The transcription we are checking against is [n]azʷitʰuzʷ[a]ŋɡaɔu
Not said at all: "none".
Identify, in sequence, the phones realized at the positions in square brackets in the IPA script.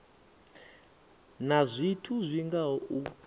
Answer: n, i

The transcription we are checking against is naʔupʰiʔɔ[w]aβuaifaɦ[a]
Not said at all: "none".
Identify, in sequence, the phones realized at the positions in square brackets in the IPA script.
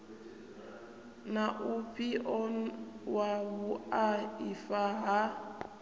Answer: w, a

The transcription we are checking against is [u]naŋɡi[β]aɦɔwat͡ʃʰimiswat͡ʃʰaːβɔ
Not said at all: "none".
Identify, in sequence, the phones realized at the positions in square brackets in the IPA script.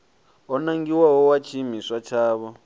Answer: ɔ, w

